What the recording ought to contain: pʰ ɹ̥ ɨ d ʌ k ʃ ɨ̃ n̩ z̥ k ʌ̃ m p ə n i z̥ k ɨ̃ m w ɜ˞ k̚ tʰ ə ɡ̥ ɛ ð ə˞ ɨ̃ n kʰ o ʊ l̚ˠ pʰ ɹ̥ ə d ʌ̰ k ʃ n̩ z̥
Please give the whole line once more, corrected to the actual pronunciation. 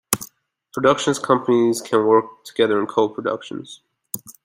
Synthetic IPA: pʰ ɹ̥ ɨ d ʌ k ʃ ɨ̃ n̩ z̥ kʰ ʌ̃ m p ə n i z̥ kʰ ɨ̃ n w ɜ˞ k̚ tʰ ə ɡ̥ ɛ ð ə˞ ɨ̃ n kʰ o ʊ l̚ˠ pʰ ɹ̥ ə d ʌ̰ k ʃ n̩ z̥